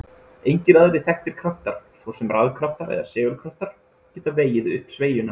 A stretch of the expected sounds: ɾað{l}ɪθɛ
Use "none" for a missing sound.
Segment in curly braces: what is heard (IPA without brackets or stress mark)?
ɾ